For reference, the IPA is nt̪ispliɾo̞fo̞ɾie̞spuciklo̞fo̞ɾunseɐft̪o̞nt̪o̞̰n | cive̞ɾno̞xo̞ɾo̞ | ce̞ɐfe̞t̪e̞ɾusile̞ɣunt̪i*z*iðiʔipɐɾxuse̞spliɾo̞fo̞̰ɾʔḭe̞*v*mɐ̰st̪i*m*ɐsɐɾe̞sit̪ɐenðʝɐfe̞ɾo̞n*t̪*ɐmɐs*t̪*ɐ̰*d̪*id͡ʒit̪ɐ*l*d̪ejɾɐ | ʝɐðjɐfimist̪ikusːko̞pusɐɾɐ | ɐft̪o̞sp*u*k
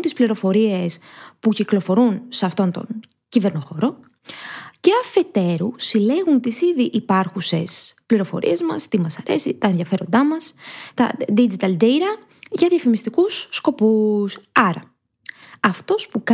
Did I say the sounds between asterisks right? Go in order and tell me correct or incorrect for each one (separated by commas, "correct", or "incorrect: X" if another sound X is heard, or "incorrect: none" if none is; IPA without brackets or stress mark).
incorrect: s, incorrect: z, correct, incorrect: d̪, correct, correct, correct, correct